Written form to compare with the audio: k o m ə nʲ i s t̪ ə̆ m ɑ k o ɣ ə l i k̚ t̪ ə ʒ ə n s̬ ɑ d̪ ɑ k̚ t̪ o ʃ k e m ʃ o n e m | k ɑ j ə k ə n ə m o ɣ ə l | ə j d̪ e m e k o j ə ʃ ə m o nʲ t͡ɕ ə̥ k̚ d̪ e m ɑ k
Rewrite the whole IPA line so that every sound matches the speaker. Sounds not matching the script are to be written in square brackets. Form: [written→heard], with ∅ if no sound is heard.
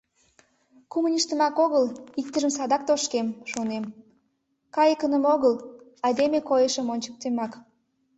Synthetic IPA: k [o→u] m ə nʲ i [s→ʃ] t̪ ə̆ m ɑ k o ɣ ə l i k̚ t̪ ə ʒ ə [n→m] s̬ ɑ d̪ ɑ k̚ t̪ o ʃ k e m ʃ o n e m | k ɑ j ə k ə n ə m o ɣ ə l | [ə→ɑ] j d̪ e m e k o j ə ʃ ə m o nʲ t͡ɕ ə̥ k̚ [d̪→t̪] e m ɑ k